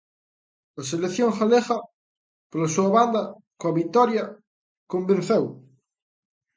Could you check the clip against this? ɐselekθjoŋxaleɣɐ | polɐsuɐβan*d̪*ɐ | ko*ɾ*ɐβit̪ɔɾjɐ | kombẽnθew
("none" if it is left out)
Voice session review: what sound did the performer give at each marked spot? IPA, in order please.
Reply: d̪, none

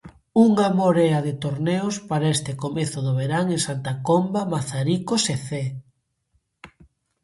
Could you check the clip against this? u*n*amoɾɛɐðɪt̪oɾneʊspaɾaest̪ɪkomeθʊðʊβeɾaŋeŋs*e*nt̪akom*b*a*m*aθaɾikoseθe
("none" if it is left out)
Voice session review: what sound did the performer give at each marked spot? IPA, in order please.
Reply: ŋ, a, b, m

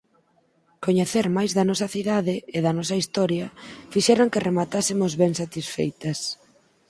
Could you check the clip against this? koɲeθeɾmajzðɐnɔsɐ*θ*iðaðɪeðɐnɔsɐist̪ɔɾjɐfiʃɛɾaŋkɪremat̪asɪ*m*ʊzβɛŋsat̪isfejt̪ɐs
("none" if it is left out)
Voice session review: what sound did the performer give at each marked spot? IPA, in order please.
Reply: θ, m

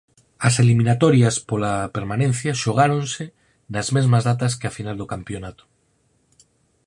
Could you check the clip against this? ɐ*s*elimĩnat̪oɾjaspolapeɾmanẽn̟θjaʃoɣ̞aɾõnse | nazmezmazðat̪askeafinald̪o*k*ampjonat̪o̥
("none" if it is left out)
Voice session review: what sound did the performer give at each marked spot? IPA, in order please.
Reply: s, k

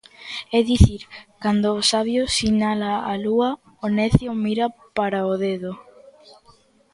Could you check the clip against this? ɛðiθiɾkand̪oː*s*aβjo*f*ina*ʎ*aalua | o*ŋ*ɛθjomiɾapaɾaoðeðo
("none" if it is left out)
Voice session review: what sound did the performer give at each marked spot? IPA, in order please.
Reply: s, s, l, n

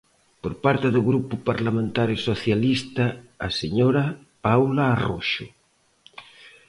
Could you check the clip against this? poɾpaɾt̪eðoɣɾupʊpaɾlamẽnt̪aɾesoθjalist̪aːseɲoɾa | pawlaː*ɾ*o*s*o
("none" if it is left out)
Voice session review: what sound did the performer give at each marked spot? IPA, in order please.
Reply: r, ʃ

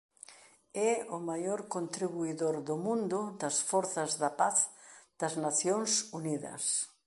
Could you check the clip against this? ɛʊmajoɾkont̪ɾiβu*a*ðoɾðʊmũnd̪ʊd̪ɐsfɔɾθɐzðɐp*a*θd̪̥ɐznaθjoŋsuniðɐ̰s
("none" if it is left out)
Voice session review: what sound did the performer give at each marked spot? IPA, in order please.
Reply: i, a

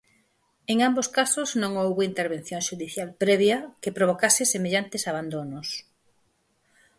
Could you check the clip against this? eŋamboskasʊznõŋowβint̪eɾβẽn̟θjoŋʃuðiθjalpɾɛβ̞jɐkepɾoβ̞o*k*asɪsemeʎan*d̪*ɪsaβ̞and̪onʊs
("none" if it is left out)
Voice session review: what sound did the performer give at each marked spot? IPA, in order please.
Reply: k, t̪

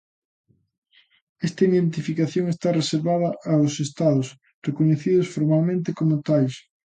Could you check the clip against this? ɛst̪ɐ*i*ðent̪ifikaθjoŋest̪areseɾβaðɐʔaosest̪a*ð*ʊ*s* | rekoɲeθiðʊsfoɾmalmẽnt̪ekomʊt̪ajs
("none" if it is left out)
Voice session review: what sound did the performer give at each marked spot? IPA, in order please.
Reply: i, ð, s

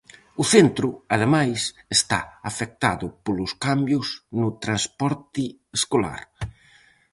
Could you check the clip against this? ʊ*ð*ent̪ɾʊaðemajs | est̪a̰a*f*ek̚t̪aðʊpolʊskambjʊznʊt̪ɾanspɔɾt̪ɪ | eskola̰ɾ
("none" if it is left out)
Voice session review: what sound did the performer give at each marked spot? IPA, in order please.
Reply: θ, f

